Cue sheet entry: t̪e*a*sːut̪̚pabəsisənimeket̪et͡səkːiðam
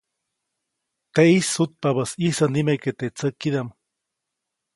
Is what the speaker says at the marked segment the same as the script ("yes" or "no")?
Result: no